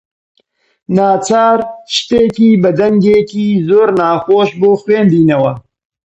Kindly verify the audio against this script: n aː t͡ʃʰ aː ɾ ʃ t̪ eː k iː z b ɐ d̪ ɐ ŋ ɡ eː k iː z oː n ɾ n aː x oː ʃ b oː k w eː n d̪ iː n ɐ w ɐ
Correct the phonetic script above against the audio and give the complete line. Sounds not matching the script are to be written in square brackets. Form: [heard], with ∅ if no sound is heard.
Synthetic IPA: n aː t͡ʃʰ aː ɾ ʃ t̪ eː k iː [∅] b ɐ d̪ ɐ ŋ ɡ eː k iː z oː [∅] ɾ n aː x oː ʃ b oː [x] w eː n d̪ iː n ɐ w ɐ